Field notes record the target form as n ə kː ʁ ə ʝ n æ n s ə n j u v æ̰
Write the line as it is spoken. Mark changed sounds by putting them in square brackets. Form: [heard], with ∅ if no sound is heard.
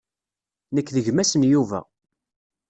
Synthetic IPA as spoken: n ə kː [ð] ə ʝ [m] æ [∅] s ə n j u v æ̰